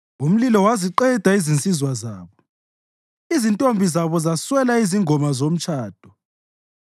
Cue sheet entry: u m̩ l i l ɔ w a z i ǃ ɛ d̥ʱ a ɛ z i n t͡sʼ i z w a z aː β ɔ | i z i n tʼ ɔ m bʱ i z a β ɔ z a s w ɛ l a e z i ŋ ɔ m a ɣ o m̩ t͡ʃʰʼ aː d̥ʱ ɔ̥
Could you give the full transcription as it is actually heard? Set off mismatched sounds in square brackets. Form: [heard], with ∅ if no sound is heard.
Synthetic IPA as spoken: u m̩ l i l ɔ w a z i ǃ ɛ d̥ʱ a [i] z i n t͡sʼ i z w a z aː β ɔ | i z i n tʼ [o] m bʱ i z a β ɔ z a s w ɛ l a [i] z i ŋ ɔ m a [z] o m̩ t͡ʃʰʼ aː d̥ʱ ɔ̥